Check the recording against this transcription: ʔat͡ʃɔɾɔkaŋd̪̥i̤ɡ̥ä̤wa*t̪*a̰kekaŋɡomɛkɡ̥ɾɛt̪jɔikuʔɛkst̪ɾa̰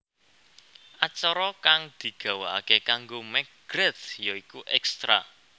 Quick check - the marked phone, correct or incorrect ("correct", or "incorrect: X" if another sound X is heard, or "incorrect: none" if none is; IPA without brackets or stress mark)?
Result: incorrect: none